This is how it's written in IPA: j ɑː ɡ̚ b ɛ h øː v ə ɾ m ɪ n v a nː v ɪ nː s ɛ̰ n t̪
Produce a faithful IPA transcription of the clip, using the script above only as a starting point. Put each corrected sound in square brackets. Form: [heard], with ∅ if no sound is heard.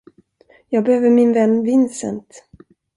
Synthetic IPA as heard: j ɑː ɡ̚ b ɛ h øː v ə ɾ m ɪ n v [ɛ] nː v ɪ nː s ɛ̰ n t̪